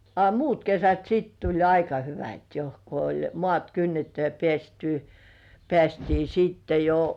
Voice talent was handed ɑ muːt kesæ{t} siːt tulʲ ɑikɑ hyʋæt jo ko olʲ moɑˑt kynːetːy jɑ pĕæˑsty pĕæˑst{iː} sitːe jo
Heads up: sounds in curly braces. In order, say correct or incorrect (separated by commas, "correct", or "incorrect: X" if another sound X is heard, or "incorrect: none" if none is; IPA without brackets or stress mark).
correct, correct